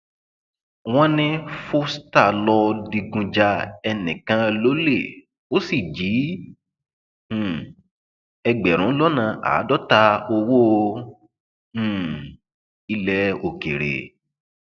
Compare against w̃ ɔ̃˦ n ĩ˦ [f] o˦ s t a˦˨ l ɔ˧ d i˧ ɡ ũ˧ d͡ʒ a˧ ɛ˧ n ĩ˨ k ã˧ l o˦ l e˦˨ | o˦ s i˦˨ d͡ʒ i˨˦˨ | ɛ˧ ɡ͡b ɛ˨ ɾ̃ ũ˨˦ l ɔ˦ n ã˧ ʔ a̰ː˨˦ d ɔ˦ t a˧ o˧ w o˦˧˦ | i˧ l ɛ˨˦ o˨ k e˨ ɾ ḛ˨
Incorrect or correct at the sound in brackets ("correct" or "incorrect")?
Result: correct